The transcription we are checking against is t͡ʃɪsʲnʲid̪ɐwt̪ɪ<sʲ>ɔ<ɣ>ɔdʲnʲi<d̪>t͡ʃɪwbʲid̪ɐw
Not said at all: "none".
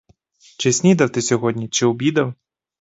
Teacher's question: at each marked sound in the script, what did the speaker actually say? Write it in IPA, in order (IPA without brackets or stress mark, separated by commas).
sʲ, ɣ, none